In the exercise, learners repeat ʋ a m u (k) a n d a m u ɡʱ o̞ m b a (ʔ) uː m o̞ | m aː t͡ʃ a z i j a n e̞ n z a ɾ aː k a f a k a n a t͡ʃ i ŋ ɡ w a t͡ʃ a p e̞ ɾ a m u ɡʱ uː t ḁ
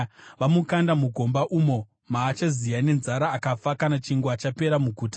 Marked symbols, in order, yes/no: yes, yes

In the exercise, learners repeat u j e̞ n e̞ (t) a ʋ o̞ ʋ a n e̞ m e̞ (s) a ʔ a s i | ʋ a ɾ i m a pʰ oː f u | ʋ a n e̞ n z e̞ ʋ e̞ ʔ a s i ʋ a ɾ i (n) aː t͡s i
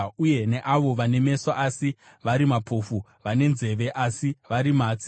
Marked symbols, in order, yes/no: no, yes, no

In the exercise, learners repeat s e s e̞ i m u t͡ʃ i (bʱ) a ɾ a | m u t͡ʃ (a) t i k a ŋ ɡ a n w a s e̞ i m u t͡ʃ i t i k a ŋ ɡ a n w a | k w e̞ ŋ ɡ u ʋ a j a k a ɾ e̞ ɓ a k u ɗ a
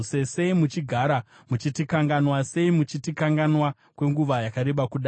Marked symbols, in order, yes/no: no, no

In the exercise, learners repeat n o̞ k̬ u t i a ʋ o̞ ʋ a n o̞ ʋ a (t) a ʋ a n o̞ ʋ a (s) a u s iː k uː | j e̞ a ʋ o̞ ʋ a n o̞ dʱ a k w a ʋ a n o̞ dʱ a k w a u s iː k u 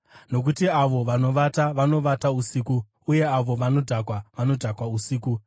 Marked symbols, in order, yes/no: yes, no

